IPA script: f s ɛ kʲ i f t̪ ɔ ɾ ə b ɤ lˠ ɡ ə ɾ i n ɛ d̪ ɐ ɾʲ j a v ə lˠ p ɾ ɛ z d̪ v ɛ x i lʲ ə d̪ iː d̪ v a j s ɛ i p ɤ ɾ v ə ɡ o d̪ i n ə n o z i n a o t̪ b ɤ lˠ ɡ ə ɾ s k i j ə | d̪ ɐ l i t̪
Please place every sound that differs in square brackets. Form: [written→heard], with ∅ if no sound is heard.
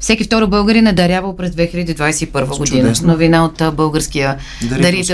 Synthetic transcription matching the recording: f s ɛ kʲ i f t̪ ɔ ɾ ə b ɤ lˠ ɡ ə ɾ i n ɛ d̪ ɐ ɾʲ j a v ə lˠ p ɾ ɛ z d̪ v ɛ x i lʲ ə d̪ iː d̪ v a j s ɛ i p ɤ ɾ v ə ɡ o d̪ i n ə n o [z→v] i n a o t̪ b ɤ lˠ ɡ ə ɾ s k i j ə | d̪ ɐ [l→ɾ] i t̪